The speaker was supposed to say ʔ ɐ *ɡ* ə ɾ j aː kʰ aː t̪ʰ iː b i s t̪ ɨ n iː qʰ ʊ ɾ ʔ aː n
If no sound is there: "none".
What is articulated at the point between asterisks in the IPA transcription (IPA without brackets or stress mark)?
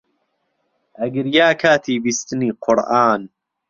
ɡ